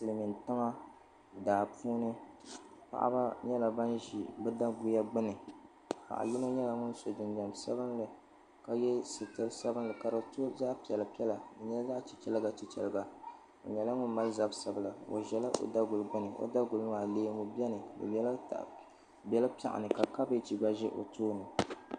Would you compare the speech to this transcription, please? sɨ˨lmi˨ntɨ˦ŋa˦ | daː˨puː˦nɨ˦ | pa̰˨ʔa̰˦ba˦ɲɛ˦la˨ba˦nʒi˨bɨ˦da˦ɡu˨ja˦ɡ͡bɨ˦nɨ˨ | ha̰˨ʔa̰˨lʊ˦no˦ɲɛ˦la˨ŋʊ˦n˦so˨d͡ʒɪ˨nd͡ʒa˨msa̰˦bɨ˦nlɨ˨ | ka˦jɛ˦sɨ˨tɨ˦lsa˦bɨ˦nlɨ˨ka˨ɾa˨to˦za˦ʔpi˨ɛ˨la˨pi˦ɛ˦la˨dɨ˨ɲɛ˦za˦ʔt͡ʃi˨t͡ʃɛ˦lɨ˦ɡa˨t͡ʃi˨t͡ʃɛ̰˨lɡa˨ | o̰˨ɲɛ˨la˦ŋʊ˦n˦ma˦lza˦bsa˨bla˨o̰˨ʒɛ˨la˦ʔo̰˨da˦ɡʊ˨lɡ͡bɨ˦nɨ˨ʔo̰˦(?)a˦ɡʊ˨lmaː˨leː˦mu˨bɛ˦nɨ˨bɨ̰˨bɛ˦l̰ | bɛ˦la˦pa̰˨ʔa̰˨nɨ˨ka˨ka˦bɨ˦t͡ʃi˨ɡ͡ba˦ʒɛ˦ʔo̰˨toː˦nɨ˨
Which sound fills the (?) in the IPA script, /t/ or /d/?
d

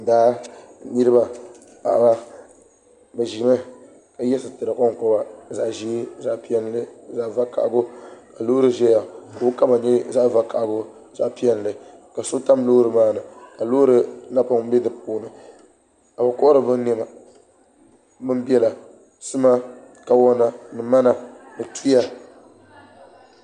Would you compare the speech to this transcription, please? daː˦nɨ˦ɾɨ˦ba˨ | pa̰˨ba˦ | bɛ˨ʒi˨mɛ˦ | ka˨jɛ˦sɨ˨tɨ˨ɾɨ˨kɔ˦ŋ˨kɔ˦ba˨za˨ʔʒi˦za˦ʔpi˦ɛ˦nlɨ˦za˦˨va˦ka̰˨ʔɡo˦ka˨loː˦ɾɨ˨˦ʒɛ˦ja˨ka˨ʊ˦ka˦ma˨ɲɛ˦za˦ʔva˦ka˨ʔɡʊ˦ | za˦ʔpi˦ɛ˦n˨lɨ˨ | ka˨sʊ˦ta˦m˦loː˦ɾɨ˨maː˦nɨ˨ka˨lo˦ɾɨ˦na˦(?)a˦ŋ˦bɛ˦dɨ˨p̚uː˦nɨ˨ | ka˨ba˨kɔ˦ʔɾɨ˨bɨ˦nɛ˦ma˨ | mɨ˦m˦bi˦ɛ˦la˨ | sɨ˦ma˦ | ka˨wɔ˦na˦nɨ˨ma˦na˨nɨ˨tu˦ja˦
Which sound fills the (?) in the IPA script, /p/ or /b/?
p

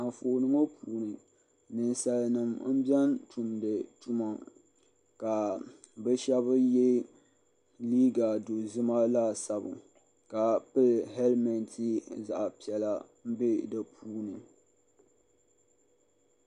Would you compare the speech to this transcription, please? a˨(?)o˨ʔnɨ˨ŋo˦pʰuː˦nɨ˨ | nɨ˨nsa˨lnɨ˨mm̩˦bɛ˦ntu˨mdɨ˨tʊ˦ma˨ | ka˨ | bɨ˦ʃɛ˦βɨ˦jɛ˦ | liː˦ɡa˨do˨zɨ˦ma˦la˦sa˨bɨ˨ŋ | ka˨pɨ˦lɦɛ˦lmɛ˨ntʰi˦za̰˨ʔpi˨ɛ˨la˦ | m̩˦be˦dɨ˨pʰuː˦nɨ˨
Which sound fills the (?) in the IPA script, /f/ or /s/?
f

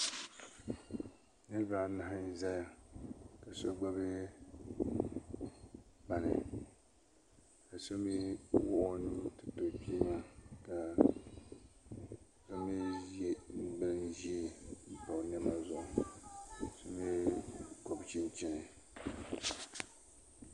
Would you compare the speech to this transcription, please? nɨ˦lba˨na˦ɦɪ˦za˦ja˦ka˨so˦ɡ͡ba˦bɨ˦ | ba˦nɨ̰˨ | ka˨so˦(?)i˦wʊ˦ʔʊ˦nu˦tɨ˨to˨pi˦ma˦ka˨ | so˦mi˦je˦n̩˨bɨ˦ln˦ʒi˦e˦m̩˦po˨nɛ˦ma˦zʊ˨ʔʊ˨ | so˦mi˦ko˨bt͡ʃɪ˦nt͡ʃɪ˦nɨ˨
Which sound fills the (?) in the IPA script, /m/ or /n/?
m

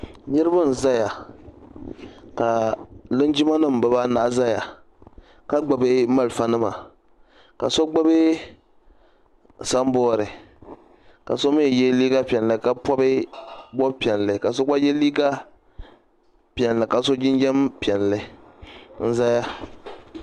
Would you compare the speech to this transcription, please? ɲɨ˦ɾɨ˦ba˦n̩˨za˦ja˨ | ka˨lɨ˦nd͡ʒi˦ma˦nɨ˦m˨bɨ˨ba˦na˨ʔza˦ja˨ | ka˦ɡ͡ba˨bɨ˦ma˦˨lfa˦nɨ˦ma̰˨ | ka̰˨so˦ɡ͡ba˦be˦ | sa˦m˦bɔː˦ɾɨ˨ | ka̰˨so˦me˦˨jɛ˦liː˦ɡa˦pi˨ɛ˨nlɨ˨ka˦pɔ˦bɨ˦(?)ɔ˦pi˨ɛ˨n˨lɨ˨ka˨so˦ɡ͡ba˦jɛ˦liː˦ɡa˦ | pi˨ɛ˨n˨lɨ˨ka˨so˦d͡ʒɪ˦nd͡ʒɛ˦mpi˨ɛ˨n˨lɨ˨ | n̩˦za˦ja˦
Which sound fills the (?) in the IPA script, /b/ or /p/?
b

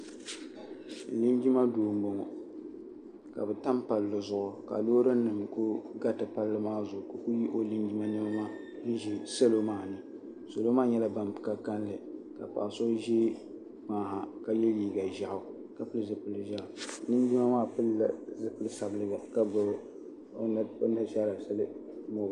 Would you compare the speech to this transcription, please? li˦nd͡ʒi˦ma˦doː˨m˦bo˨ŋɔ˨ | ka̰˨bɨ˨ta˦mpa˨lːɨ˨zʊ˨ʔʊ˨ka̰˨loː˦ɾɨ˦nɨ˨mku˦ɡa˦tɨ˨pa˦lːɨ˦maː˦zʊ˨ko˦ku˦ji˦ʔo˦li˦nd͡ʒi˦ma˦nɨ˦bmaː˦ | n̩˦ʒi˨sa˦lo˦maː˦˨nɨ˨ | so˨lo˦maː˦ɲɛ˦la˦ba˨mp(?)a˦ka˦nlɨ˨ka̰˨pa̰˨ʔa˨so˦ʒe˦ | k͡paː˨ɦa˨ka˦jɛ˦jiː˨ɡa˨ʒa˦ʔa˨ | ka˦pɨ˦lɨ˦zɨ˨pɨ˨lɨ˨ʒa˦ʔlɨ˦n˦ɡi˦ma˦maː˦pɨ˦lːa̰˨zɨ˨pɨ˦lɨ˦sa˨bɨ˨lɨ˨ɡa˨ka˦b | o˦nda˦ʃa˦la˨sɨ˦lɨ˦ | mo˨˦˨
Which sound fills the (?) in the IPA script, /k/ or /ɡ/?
k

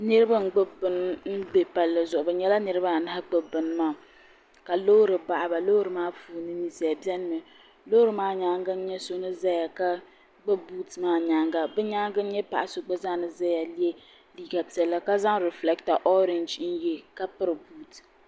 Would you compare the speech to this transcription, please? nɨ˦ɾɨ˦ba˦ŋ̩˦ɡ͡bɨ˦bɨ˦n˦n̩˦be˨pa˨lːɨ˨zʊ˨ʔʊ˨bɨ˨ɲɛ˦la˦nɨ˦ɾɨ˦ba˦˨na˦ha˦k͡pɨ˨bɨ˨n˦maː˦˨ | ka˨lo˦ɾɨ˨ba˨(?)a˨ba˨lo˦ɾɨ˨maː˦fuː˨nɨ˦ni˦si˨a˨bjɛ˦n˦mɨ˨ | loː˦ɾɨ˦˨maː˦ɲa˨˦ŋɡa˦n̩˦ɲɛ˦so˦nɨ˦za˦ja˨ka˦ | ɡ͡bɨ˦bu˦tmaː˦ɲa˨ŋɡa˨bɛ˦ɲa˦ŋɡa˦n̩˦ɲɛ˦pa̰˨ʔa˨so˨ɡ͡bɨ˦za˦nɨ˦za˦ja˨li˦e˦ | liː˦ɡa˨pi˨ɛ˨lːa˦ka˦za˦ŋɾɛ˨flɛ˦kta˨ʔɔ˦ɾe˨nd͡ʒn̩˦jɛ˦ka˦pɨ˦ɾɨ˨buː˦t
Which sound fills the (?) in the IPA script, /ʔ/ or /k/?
ʔ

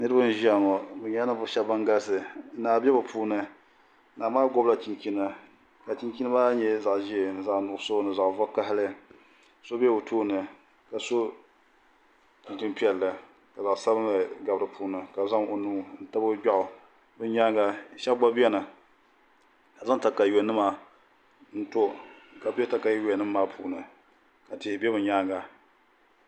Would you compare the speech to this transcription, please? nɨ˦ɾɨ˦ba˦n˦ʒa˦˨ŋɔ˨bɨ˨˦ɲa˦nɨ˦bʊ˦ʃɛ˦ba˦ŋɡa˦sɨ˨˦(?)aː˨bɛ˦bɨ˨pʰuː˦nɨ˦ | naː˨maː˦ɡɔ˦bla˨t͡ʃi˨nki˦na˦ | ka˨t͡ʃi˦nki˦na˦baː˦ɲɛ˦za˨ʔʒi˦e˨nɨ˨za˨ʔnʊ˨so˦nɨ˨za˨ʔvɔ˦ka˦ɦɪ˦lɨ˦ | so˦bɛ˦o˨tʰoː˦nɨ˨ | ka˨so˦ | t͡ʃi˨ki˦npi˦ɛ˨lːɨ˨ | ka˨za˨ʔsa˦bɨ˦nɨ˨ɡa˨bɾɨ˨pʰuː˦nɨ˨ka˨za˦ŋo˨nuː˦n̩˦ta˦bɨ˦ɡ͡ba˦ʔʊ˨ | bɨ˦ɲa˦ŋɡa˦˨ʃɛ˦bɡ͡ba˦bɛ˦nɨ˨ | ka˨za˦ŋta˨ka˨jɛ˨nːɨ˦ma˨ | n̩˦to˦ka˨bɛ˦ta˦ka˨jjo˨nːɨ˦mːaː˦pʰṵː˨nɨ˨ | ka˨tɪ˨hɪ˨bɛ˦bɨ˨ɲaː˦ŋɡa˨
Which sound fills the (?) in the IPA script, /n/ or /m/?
n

